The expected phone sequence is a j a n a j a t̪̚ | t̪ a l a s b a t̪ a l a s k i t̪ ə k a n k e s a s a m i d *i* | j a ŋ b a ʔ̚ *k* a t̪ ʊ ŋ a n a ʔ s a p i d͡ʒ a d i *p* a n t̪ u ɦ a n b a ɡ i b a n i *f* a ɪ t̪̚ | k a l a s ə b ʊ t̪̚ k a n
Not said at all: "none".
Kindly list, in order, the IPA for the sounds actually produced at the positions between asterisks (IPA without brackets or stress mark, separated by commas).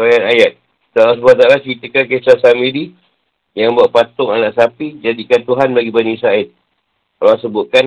i, p, k, s